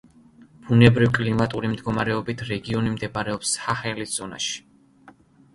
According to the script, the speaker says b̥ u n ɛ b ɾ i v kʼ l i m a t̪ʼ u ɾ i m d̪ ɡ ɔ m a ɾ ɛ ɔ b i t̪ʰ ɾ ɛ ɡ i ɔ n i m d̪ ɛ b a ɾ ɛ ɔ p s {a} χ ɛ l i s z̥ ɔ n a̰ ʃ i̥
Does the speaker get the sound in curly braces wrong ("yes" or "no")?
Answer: no